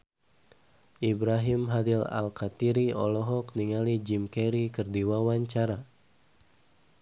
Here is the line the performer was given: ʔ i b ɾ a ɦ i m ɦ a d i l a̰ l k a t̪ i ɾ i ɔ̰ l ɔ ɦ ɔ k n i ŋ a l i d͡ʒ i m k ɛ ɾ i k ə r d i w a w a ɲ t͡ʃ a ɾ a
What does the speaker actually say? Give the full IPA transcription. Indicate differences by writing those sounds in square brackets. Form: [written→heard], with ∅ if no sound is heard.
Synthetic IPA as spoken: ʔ i b ɾ a ɦ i m ɦ a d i l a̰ l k a t̪ i ɾ i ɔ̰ l ɔ ɦ ɔ k n i ŋ a l i d͡ʒ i m k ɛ ɾ i k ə r d i w a w a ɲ t͡ʃ a ɾ a